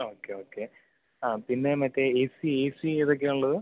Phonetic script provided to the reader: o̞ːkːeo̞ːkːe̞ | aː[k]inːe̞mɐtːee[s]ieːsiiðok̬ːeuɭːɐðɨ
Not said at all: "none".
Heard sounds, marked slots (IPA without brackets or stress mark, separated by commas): p, s